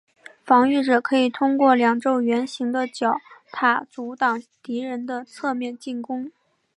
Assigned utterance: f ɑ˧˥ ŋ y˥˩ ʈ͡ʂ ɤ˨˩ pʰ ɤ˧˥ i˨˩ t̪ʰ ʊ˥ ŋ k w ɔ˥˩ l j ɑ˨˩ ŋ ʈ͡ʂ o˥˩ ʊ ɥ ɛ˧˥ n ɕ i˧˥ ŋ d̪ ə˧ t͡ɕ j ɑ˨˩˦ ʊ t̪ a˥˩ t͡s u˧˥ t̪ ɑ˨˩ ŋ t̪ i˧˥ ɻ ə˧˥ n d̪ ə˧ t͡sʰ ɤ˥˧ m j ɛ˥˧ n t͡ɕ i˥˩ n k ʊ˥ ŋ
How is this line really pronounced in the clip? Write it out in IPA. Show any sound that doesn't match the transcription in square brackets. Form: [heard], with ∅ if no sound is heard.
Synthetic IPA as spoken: f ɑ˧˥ ŋ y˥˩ ʈ͡ʂ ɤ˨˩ [kʰ] ɤ˧˥ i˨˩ t̪ʰ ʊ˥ ŋ k w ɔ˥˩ l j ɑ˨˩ ŋ ʈ͡ʂ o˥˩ ʊ ɥ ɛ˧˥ n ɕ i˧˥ ŋ d̪ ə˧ t͡ɕ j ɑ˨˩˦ ʊ [t̪ʰ] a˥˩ t͡s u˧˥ t̪ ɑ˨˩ ŋ t̪ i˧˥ ɻ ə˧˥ n d̪ ə˧ t͡sʰ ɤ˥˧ m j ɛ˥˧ n t͡ɕ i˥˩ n k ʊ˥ ŋ